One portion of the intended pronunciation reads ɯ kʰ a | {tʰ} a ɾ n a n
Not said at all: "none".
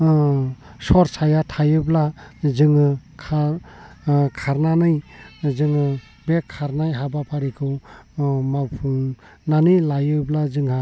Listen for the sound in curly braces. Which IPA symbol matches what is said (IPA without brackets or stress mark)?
kʰ